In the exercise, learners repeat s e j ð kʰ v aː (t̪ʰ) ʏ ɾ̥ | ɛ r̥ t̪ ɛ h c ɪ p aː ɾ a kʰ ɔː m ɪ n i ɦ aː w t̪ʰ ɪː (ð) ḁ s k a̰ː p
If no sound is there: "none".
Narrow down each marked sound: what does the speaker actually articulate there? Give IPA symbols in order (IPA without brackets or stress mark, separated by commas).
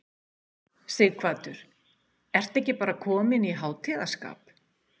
t̪, ð